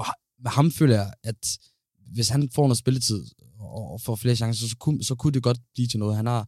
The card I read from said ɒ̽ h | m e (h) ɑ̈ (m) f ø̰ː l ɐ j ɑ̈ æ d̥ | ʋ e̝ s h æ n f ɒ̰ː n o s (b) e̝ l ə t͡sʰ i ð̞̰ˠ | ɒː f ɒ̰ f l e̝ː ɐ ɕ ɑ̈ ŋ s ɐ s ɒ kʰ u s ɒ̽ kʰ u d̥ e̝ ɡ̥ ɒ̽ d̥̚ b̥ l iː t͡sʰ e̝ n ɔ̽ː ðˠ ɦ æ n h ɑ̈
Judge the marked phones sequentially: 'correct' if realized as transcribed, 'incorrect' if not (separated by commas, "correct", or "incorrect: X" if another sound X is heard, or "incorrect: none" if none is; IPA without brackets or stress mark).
correct, correct, correct